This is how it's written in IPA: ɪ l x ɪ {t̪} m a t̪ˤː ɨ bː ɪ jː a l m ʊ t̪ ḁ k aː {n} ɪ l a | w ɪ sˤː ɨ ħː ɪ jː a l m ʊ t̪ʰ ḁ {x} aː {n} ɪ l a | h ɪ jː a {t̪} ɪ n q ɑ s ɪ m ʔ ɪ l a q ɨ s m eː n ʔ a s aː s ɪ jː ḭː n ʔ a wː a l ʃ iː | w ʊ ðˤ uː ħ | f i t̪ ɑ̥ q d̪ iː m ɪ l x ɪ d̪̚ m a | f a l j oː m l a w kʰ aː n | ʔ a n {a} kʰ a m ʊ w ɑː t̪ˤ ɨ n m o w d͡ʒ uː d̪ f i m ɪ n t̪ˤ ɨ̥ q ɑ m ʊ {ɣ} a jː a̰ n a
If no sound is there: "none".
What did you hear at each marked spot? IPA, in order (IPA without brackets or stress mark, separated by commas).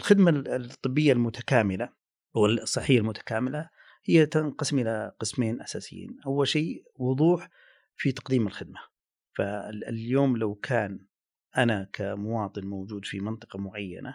d̪, m, k, m, t̪, a, ʕ